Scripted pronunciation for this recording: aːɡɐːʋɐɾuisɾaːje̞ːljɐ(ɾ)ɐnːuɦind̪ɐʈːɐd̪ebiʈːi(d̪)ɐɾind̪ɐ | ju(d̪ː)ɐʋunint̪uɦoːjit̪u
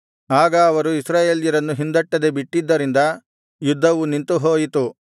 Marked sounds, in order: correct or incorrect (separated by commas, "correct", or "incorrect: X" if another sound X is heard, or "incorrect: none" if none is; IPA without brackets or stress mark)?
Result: correct, incorrect: d̪ː, correct